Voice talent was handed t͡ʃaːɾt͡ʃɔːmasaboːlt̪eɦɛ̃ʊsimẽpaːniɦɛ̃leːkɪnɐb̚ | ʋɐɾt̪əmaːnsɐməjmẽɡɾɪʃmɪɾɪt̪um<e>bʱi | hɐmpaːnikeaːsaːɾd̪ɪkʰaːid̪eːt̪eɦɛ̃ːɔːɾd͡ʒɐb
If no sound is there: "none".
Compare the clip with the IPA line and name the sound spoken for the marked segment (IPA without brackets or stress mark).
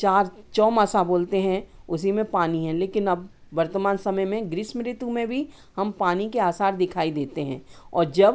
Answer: ẽ